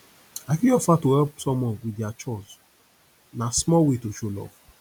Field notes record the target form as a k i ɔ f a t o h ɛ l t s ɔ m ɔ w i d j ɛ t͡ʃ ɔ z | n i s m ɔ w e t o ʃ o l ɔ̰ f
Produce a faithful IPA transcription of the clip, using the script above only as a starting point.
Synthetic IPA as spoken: a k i ɔ f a t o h ɛ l p s ɔ m ɔ w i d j a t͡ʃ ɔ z | n a s m ɔ w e t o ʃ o l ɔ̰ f